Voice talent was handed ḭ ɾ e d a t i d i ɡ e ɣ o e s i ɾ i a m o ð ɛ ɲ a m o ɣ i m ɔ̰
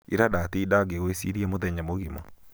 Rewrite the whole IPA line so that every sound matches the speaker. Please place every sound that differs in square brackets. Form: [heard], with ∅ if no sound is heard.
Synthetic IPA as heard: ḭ ɾ [a] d a t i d [a] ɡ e ɣ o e s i ɾ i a m o ð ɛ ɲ a m o ɣ i m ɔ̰